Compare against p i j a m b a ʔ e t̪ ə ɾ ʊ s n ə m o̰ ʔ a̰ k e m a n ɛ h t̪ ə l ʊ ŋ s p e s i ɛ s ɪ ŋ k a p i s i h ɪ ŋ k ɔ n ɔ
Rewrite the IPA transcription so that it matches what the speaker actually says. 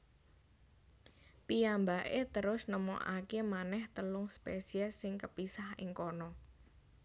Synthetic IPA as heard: p i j a m b a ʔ e t̪ ə ɾ ʊ s n ə m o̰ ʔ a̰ k e m a n ɛ h t̪ ə l ʊ ŋ s p e s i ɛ s ɪ ŋ k ə p i s a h ɪ ŋ k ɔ n ɔ